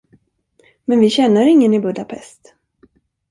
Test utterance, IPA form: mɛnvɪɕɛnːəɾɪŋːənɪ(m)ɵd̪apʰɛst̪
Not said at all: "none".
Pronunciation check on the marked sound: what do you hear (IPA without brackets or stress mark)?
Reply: b